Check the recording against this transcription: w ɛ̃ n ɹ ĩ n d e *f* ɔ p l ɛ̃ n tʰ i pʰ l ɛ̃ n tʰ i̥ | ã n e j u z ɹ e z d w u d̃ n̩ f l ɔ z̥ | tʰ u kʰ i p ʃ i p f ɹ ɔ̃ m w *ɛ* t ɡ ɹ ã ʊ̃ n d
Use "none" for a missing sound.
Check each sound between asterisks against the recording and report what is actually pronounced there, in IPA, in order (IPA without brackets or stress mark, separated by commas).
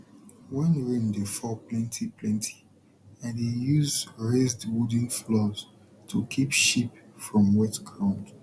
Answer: f, ɛ